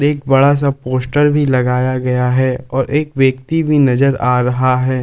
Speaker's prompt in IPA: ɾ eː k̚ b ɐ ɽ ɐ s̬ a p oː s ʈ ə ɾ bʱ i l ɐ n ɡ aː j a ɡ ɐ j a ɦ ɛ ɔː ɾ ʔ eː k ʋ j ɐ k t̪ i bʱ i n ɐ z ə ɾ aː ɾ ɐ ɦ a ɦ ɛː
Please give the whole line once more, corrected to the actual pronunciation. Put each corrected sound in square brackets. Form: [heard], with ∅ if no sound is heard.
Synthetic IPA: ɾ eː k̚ b ɐ ɽ [a] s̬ a p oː s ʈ ə ɾ bʱ i l ɐ [∅] ɡ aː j a ɡ ɐ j a ɦ ɛ ɔː ɾ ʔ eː k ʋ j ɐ k t̪ i bʱ i n ɐ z ə ɾ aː ɾ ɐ ɦ a ɦ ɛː